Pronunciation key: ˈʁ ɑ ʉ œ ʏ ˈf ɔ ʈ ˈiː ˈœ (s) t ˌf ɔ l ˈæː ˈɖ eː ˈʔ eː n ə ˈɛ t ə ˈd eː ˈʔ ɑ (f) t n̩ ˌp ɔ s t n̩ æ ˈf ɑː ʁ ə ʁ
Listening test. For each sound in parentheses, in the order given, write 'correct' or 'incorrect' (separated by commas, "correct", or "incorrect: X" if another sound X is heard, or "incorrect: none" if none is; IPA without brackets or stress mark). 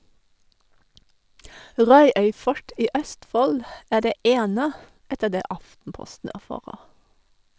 correct, correct